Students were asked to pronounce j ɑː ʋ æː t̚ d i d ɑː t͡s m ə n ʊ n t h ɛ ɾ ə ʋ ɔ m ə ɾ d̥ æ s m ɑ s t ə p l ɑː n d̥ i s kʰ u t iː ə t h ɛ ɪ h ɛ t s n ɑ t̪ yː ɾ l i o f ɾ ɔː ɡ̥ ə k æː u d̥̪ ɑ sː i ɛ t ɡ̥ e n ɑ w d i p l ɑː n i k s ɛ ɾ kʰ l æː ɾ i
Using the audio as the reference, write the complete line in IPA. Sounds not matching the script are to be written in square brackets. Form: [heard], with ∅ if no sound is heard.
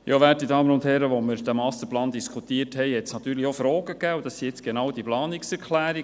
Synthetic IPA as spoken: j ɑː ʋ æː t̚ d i d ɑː [∅] m ə n ʊ n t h ɛ ɾ ə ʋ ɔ m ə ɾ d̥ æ [∅] m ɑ s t ə p l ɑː n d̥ i s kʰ u t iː ə t h ɛ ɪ h ɛ t s n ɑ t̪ yː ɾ l i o f ɾ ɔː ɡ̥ ə k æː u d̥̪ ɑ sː i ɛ [t͡s] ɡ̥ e n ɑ w d i p l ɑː n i k s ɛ ɾ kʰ l æː ɾ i